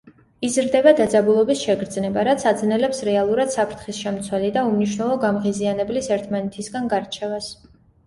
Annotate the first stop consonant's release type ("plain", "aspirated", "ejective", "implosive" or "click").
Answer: plain